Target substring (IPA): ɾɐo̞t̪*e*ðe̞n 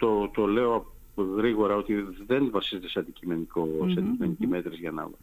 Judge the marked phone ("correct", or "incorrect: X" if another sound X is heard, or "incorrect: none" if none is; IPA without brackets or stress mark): incorrect: i